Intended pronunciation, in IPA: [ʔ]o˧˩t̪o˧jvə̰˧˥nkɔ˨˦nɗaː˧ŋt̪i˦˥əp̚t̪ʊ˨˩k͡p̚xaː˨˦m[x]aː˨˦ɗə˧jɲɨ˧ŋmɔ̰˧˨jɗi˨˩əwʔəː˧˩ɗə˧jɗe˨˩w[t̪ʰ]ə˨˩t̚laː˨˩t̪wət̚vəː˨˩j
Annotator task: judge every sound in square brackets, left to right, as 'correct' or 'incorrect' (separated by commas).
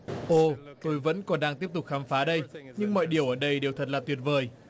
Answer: correct, incorrect, correct